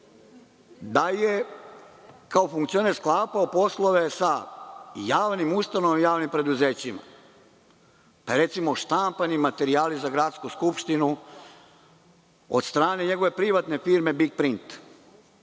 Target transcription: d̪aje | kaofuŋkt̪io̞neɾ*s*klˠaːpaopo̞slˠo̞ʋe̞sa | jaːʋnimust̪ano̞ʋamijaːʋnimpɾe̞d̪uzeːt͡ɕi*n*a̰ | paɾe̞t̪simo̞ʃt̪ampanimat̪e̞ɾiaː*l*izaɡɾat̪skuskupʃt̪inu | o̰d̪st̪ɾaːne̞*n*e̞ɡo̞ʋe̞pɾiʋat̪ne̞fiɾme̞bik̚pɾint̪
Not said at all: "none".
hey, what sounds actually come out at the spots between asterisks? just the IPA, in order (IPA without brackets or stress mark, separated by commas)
s, m, l, ɲ